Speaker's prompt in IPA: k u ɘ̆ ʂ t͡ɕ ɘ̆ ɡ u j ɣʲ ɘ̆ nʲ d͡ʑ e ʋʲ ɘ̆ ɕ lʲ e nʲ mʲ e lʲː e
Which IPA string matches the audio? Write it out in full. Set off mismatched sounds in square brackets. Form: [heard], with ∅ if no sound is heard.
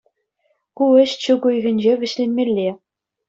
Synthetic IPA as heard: k u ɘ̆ [ɕ] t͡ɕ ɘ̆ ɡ u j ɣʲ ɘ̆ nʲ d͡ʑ e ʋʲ ɘ̆ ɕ lʲ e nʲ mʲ e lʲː e